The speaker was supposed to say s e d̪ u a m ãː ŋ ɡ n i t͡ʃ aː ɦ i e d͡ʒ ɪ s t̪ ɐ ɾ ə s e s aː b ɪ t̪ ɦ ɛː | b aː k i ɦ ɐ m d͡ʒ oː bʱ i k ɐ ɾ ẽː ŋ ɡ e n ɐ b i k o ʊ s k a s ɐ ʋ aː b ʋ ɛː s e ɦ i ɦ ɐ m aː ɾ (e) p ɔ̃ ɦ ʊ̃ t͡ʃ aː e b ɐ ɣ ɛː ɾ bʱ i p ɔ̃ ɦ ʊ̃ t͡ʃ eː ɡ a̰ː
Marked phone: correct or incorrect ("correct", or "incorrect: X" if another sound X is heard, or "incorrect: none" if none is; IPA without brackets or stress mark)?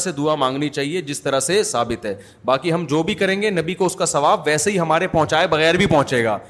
correct